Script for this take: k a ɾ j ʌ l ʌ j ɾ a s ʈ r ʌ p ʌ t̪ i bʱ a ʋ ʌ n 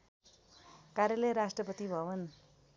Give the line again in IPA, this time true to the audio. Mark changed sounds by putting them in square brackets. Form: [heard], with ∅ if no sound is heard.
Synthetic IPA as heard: k a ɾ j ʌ l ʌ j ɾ a s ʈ r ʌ p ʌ t̪ i bʱ [ʌ] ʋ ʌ n